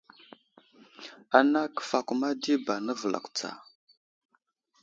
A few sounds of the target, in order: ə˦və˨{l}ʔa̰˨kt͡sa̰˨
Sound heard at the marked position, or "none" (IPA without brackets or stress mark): l